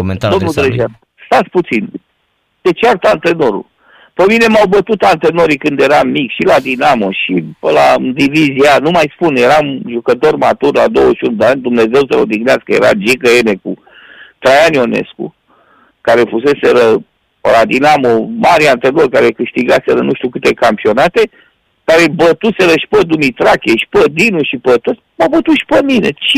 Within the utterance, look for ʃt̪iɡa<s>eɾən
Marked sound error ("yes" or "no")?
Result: no